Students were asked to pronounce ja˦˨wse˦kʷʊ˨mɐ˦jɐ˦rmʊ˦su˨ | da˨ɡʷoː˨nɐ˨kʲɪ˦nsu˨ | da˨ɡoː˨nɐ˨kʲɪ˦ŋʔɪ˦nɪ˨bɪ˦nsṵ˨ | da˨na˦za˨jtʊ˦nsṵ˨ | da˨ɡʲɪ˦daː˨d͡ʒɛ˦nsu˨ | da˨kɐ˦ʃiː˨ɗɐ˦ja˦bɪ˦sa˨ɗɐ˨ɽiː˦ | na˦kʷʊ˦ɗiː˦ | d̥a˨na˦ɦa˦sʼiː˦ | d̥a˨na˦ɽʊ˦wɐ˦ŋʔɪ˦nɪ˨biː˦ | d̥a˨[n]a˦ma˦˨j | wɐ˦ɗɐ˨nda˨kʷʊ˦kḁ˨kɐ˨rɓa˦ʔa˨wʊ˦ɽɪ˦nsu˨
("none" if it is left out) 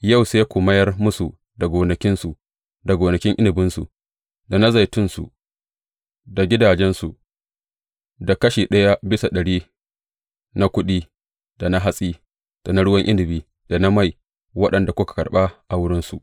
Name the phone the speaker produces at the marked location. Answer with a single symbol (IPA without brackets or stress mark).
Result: n